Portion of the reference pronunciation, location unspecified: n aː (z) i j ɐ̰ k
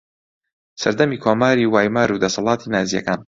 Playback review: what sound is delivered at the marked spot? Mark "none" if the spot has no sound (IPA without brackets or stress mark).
z